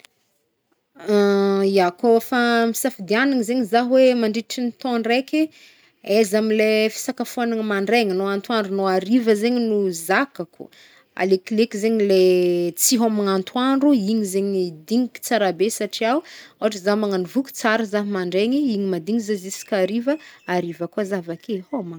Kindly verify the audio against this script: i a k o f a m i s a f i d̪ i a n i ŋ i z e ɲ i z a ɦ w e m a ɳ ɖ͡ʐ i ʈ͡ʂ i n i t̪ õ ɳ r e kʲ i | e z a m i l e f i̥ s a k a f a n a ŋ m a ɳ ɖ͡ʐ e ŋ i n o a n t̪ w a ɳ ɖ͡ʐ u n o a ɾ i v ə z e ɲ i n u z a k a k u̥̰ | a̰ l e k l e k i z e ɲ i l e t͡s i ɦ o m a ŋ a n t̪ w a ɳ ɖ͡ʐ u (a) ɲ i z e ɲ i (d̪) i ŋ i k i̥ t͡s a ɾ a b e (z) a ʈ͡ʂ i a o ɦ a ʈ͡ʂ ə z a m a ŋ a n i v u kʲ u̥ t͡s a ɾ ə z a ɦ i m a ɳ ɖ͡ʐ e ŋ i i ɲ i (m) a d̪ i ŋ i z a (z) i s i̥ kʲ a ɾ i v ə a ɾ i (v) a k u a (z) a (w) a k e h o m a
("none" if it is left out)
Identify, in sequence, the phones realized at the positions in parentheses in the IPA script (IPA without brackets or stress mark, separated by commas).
i, d̪, s, m, z, v, z, v